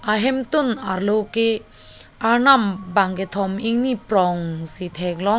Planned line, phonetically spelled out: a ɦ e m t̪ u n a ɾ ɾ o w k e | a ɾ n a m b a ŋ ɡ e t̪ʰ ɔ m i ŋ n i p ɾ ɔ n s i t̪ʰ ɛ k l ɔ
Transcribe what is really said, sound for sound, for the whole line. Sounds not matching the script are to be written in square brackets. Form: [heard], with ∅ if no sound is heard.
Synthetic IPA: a ɦ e m t̪ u n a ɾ [l] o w k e | a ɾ n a m b a ŋ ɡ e t̪ʰ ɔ m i ŋ n i p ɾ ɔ [ŋ] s i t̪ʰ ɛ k l ɔ